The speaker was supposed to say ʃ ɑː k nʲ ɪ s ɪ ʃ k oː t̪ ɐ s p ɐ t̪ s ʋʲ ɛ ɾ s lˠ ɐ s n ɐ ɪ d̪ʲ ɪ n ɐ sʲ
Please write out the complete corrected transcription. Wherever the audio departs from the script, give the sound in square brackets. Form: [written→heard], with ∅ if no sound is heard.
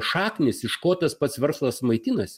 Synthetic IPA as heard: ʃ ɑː k nʲ ɪ s ɪ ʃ k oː t̪ ɐ s p ɐ t̪ s ʋʲ ɛ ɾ s lˠ ɐ s [n→m] ɐ ɪ [d̪ʲ→t̪ʲ] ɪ n ɐ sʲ